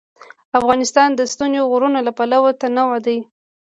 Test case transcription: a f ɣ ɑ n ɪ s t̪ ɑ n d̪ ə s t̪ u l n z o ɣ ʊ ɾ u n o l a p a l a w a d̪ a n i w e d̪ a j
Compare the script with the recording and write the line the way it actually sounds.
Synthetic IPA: a f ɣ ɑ n ɪ s t̪ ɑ n d̪ ə s t̪ u n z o ɣ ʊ ɾ u n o l a p a l a w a t̪ a n a w a d̪ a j